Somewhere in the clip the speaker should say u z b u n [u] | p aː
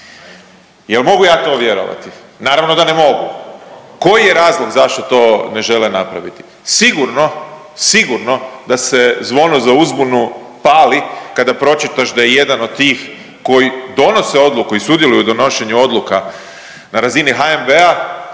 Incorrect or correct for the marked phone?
correct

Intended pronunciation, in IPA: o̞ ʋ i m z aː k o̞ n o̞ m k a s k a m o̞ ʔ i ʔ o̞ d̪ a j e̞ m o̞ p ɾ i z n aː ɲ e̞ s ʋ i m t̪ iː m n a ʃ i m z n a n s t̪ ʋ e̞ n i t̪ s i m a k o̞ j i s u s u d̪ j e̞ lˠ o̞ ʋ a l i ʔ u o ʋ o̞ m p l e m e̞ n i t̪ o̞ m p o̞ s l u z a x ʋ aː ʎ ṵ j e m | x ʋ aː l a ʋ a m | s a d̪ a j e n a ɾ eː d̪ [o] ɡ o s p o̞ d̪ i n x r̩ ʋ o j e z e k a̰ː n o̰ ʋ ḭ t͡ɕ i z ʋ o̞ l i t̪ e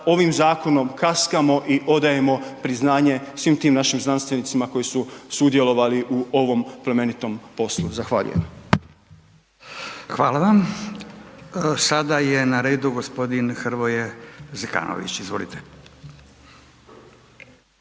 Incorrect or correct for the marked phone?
incorrect: u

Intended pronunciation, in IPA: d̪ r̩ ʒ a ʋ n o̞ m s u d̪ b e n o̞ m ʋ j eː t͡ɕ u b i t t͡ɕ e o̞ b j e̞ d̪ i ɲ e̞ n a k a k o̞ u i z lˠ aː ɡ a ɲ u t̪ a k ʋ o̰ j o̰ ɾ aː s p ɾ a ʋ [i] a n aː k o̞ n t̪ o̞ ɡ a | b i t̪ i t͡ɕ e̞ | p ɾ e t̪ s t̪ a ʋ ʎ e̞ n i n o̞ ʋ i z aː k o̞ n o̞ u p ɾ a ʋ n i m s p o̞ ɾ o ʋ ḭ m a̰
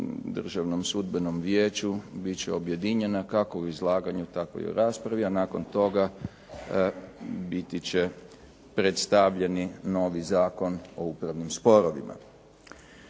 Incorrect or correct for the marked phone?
correct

